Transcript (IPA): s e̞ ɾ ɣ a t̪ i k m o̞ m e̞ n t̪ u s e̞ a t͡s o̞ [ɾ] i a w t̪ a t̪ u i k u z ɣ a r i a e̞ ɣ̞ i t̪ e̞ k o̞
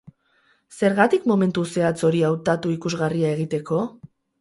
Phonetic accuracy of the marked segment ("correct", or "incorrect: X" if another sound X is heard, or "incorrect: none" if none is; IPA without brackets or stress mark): correct